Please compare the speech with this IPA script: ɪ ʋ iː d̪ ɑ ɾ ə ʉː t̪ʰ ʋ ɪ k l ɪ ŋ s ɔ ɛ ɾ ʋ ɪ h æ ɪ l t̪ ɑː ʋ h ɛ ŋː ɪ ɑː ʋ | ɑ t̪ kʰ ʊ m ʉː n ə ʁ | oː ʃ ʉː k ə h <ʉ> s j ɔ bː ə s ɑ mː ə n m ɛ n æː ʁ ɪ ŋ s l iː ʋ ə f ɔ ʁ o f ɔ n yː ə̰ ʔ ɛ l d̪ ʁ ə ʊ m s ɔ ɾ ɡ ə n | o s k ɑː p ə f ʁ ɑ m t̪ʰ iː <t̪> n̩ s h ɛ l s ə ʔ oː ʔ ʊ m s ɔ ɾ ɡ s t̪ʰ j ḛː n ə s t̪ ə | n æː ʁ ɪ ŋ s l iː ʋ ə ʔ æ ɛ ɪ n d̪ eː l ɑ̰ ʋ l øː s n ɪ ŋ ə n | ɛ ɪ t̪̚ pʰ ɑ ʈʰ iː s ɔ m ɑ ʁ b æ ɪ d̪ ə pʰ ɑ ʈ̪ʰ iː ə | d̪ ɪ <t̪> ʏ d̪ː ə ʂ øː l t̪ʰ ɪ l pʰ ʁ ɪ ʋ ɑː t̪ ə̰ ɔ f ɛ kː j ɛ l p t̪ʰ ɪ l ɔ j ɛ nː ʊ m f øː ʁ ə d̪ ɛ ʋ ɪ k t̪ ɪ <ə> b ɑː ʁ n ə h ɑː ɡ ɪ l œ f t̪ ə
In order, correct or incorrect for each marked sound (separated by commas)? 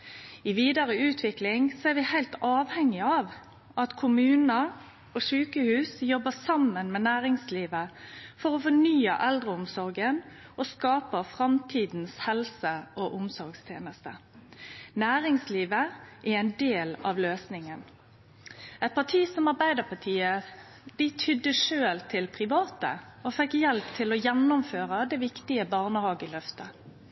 incorrect, incorrect, incorrect, correct